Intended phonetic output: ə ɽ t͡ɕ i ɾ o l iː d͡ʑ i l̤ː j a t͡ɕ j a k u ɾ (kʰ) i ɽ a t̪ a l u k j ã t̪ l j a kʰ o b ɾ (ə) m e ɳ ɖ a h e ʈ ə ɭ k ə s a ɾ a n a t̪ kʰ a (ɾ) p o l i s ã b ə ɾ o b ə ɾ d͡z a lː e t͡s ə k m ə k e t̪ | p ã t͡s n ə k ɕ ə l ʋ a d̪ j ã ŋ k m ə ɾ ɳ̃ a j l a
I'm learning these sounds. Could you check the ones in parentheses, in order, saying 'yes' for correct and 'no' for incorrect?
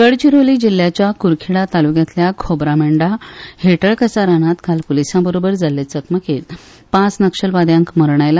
yes, no, no

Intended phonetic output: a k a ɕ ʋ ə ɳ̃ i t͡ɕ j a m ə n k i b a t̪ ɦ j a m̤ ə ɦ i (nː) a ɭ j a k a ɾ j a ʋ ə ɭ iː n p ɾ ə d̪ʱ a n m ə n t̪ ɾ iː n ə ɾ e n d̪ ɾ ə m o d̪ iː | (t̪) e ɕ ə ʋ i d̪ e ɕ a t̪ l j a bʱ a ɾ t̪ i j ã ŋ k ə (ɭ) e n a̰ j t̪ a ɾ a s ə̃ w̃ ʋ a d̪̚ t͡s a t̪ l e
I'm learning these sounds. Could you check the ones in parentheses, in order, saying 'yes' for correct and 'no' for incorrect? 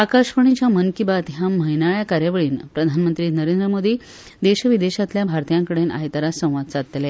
no, no, no

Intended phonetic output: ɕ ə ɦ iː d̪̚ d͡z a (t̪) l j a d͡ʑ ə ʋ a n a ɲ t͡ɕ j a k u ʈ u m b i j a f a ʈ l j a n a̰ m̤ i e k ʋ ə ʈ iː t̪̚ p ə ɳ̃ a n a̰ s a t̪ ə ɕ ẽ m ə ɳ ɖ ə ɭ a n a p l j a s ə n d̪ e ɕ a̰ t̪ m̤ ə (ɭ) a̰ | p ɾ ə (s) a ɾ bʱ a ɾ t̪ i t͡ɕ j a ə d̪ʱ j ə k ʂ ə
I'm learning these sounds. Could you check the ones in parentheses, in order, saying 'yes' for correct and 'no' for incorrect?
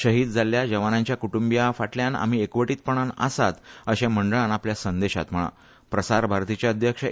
no, yes, yes

